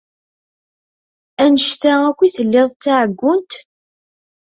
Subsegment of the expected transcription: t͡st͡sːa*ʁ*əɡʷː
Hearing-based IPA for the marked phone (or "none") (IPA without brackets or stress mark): ʕ